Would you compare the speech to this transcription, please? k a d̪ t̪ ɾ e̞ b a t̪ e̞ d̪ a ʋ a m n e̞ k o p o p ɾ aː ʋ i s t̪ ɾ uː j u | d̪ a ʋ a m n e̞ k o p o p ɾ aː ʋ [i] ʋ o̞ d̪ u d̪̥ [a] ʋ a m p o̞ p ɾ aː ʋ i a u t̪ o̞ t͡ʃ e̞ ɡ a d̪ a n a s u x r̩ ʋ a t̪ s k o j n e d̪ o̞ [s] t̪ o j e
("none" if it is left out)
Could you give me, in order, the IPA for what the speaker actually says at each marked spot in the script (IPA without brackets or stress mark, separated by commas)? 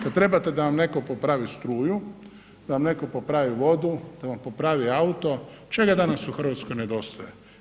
i, a, s